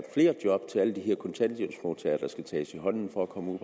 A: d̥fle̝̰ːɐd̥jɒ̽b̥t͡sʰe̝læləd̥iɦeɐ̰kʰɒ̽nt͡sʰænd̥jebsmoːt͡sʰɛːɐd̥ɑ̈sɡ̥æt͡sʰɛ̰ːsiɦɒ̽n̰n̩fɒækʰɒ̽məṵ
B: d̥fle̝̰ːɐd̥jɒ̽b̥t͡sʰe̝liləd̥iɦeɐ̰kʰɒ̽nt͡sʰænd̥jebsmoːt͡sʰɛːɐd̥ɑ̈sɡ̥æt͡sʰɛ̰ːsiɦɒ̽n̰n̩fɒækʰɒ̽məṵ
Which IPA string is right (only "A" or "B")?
A